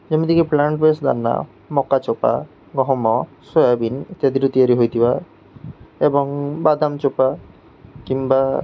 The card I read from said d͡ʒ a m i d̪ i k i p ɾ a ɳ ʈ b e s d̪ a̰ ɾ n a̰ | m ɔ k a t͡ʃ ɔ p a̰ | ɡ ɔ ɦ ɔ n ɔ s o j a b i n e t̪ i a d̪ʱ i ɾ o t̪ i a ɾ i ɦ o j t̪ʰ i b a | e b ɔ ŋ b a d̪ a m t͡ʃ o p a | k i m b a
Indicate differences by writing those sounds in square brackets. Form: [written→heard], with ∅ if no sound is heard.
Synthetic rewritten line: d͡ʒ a m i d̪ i k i p [ɾ→l] a ɳ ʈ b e s d̪ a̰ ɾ n a̰ | m ɔ k a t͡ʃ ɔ p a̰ | ɡ ɔ ɦ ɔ [n→m] ɔ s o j a b i n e t̪ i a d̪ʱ i ɾ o t̪ i a ɾ i ɦ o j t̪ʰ i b a | e b ɔ ŋ b a d̪ a m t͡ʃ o p a | k i m b a